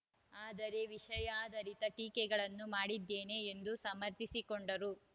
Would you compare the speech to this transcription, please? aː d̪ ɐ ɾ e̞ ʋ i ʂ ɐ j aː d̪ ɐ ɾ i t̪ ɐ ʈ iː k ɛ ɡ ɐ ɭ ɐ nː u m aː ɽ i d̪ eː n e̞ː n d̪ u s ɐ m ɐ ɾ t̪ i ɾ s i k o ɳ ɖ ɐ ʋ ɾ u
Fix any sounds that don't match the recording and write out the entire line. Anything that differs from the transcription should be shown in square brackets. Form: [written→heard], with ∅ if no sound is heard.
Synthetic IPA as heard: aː d̪ ɐ ɾ e̞ ʋ i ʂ ɐ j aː d̪ ɐ ɾ i t̪ ɐ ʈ iː k ɛ ɡ ɐ ɭ ɐ nː u m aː ɽ i [d̪→d̪ː] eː n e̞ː n d̪ u s ɐ m ɐ ɾ t̪ i [ɾ→∅] s i k o ɳ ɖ ɐ [ʋ→∅] ɾ u